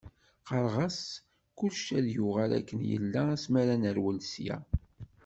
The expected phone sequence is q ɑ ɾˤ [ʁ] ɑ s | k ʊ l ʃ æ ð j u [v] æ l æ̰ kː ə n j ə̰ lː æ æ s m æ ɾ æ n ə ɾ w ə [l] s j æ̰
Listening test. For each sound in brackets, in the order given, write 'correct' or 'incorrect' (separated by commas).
correct, incorrect, correct